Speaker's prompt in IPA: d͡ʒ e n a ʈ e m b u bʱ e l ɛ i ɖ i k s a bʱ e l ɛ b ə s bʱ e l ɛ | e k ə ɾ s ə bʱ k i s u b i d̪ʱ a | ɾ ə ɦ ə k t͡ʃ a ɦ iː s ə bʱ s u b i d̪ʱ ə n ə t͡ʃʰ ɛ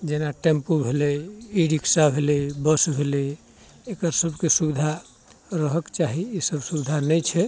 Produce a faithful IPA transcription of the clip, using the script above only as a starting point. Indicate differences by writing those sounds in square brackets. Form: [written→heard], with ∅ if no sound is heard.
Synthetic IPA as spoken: d͡ʒ e n a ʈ e m [b→p] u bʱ e l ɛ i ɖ i k s a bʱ e l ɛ b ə s bʱ e l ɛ | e k ə ɾ s ə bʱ k [i→e] s u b i d̪ʱ a | ɾ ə ɦ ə k t͡ʃ a ɦ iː s ə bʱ s u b i d̪ʱ [ə→a] n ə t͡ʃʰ ɛ

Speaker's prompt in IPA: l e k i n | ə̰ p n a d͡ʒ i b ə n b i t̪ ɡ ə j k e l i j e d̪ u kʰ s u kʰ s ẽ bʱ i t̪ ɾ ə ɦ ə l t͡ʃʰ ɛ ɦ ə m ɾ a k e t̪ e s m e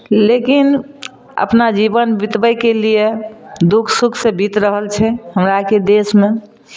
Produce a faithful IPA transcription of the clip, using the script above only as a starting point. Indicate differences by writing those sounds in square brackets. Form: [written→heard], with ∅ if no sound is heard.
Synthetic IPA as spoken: l e k i n | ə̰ p n a d͡ʒ i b ə n b i t̪ [ɡ→b] ə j k e l i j e d̪ u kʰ s u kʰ s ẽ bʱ i t̪ ɾ ə ɦ ə l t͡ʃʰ ɛ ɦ ə m ɾ a k e [t̪→d̪] e s m e

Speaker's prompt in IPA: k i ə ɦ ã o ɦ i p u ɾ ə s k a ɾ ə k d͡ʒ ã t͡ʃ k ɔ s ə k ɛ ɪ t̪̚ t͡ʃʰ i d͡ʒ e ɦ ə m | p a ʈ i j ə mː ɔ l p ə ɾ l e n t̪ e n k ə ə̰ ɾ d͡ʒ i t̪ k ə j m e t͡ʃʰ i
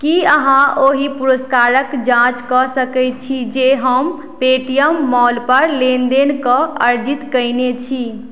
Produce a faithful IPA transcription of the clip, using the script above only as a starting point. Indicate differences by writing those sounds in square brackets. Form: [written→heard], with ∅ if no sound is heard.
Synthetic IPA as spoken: k i ə ɦ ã o ɦ i p u ɾ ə s k a ɾ ə k d͡ʒ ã t͡ʃ k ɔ s ə k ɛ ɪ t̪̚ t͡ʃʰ i d͡ʒ e ɦ ə m | p [a→e] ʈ i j ə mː ɔ l p ə ɾ l e n [t̪→d̪] e n k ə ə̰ ɾ d͡ʒ i t̪ k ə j [m→n] e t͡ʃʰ i

